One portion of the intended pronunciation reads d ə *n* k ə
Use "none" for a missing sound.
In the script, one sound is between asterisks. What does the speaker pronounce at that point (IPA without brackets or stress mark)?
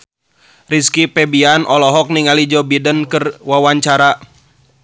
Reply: n